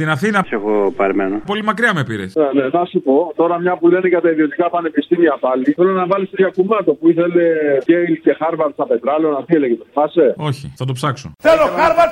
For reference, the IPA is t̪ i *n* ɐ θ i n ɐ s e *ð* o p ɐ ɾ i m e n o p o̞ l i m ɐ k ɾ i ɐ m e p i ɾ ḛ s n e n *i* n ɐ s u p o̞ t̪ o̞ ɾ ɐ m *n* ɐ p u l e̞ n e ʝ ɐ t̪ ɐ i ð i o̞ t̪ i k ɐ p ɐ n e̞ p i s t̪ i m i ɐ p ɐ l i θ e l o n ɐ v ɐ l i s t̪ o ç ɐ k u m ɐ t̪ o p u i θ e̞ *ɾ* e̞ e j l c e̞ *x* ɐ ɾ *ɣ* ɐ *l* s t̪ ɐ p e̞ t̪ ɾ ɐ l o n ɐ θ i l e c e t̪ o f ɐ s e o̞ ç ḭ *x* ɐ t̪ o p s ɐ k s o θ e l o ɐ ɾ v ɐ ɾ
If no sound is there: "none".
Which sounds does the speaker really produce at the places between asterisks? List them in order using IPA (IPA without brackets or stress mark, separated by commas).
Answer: n, ɣ, e, ɲ, l, x, v, ɾ, θ